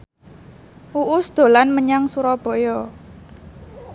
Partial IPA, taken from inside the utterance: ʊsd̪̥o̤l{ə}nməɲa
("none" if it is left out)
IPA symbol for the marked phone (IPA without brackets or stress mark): a